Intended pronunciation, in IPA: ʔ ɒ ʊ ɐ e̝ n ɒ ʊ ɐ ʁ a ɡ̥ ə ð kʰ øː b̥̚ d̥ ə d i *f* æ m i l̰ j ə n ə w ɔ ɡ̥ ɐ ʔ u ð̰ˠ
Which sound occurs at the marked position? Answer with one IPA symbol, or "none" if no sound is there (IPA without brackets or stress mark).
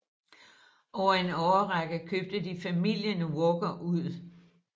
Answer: f